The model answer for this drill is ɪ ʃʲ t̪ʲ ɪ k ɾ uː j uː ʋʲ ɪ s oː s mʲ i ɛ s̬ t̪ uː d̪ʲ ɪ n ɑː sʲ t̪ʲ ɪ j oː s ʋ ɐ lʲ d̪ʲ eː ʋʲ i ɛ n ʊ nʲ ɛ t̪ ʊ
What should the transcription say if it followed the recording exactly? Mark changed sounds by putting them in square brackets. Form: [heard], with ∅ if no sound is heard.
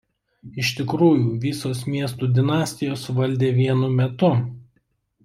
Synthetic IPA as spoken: ɪ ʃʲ t̪ʲ ɪ k ɾ uː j uː ʋʲ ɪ s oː s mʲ i ɛ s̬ t̪ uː d̪ʲ ɪ n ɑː sʲ t̪ʲ ɪ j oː s ʋ ɐ lʲ d̪ʲ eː ʋʲ i ɛ n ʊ [mʲ] ɛ t̪ ʊ